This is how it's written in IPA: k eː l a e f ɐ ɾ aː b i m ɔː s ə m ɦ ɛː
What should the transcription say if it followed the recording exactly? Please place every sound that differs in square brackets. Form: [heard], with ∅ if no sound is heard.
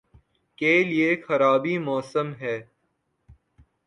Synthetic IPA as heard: k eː l [i] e [x] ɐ ɾ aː b i m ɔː s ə m ɦ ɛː